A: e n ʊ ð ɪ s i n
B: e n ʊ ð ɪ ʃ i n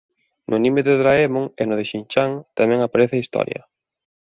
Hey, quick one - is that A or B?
B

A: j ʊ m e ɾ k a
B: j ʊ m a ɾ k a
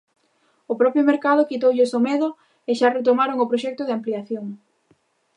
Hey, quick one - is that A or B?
A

